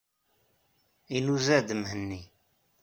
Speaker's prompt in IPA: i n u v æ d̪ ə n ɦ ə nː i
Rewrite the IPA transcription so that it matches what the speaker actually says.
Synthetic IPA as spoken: i n u z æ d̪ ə m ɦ ə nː i